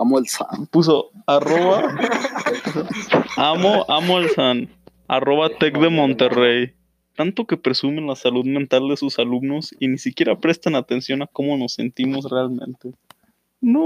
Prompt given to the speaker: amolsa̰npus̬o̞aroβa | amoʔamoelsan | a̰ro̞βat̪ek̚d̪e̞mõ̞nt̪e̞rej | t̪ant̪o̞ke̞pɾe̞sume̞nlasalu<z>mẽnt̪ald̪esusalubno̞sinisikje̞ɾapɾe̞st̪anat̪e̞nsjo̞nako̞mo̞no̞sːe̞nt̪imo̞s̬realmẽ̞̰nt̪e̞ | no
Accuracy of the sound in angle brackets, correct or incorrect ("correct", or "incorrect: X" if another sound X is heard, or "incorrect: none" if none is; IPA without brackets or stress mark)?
incorrect: ð